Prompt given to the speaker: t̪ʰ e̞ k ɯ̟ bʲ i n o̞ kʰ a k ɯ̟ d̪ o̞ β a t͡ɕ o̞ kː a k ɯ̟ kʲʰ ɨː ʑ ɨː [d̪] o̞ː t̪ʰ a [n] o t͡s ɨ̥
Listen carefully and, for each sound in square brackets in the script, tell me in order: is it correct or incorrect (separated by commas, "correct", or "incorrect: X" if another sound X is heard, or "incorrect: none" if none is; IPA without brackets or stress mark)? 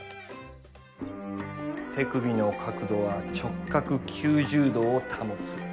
correct, incorrect: m